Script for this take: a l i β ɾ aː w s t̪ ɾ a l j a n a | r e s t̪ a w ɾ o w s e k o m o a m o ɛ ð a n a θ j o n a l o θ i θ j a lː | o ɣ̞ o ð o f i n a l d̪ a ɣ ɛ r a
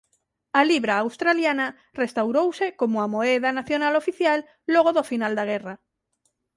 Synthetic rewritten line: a l i β ɾ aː w s t̪ ɾ a l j a n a | r e s t̪ a w ɾ o w s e k o m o a m o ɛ ð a n a θ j o n a l o f i θ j a lː | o ɣ̞ o ð o f i n a l d̪ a ɣ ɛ r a